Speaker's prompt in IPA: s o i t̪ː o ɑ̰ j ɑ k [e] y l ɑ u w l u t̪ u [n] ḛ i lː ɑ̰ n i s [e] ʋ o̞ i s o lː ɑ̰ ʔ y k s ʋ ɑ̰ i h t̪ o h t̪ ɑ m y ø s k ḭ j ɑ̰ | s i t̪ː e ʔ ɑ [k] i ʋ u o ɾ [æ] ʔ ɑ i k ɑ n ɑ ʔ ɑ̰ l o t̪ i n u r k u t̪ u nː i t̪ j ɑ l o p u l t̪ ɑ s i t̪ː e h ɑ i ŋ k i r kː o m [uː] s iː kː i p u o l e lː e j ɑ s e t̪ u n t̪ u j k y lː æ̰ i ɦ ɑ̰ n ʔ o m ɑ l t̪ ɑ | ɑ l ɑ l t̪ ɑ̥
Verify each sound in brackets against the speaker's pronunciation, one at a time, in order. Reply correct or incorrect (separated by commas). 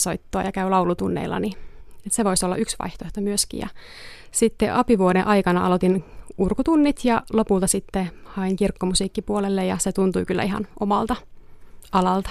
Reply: incorrect, incorrect, correct, incorrect, incorrect, incorrect